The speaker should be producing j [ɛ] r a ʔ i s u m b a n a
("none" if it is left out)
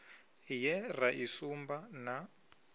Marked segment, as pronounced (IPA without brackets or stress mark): ɛ